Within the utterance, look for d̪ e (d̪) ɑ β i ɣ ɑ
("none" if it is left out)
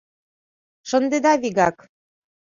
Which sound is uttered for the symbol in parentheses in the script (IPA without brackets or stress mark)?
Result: d̪